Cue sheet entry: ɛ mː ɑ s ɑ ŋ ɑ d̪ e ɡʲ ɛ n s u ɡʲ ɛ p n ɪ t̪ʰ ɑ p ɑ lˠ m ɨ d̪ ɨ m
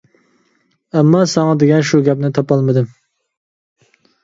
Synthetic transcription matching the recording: ɛ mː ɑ s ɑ ŋ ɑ d̪ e ɡʲ ɛ n ʃ u ɡʲ ɛ p n ɪ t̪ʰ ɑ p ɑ lˠ m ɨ d̪ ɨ m